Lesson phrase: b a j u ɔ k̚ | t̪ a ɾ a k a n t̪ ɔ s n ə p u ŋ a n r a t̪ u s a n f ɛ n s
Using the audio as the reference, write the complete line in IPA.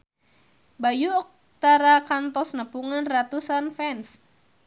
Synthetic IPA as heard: b a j u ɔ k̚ | t̪ a ɾ a k a n t̪ ɔ s n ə p u ŋ a n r a t̪ u s a n f ɛ n s